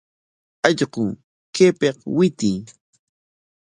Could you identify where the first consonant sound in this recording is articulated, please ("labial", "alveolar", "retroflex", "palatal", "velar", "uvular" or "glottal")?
palatal